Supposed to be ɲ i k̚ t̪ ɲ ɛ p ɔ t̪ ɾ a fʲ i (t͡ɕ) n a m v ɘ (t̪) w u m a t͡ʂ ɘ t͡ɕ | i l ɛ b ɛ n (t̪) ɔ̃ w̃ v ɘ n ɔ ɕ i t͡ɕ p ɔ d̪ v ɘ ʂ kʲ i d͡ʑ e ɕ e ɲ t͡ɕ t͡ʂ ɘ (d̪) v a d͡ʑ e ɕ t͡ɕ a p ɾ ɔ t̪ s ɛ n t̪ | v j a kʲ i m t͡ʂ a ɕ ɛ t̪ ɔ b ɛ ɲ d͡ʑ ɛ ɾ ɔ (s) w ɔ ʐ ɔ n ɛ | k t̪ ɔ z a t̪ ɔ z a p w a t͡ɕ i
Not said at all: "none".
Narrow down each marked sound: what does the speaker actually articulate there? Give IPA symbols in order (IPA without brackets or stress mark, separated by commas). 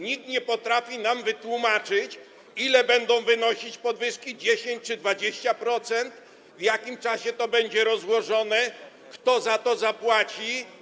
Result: none, t̪, d̪, d̪, z